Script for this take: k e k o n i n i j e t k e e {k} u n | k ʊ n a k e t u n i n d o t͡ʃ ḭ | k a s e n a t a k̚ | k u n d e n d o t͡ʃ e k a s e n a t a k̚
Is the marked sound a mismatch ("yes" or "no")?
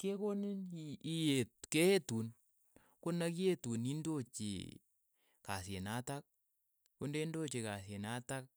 yes